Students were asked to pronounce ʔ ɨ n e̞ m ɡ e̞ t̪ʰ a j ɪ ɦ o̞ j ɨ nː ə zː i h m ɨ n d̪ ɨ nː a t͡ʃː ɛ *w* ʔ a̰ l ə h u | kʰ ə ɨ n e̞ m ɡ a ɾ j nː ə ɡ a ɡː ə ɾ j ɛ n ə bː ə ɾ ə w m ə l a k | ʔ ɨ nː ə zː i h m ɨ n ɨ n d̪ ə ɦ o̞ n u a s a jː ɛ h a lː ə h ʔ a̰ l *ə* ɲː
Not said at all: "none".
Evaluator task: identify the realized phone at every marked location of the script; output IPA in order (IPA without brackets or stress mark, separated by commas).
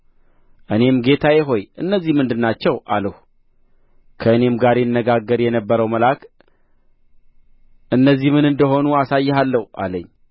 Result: w, ə